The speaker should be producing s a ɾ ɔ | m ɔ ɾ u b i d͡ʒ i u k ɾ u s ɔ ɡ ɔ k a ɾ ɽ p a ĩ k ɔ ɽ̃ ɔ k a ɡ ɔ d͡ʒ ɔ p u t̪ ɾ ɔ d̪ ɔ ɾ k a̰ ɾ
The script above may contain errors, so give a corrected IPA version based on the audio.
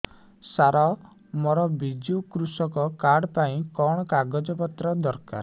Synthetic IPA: s a ɾ ɔ | m ɔ ɾ ɔ b i d͡ʒ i u k ɾ u s ɔ k ɔ k a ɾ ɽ p a ĩ k ɔ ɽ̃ ɔ k a ɡ ɔ d͡ʒ ɔ p ɔ t̪ ɾ ɔ d̪ ɔ ɾ k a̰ ɾ